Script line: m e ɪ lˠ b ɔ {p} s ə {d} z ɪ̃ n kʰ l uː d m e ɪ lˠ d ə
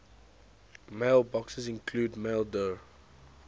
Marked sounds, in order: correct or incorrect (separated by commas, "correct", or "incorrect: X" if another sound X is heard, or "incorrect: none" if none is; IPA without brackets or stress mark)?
incorrect: k, incorrect: none